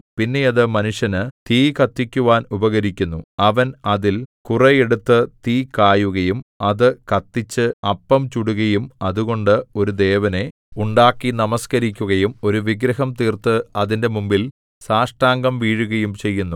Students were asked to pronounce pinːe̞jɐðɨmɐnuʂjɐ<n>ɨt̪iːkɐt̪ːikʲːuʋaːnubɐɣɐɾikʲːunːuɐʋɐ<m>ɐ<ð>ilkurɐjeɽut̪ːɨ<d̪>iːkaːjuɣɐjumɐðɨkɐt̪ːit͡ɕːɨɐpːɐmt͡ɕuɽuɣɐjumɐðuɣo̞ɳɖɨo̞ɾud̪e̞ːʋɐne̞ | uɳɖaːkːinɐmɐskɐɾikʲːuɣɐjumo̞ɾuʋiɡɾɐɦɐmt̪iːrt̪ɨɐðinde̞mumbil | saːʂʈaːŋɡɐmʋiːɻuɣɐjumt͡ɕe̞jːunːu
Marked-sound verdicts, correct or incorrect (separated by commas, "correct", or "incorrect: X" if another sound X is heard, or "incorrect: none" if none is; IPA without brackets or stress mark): correct, incorrect: n, correct, incorrect: t̪